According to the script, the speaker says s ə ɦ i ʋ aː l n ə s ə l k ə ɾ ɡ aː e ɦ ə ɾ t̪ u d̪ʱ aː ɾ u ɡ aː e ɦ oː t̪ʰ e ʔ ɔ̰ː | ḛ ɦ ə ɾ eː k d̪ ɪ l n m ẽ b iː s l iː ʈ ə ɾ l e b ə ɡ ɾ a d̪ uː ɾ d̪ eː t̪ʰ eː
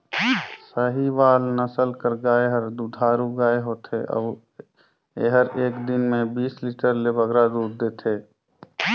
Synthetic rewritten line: s ə ɦ i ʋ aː l n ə s ə l k ə ɾ ɡ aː e ɦ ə ɾ d̪ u d̪ʱ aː ɾ u ɡ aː e ɦ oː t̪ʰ e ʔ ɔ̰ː | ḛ ɦ ə ɾ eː k d̪ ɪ n m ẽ b iː s l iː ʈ ə ɾ l e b ə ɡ ɾ a d̪ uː ɾ d̪ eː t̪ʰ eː